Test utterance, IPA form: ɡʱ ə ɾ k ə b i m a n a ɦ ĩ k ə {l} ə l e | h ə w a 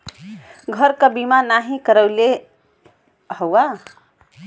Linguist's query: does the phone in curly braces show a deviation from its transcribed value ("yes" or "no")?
yes